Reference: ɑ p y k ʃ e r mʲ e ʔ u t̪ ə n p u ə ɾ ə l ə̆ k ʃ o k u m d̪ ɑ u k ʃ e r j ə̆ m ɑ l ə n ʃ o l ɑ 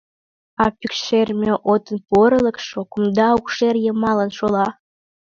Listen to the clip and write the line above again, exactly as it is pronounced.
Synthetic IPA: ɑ p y k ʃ e r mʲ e ʔ o t̪ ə n p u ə ɾ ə l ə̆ k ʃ o k u m d̪ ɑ u k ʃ e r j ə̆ m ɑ l ə n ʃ o l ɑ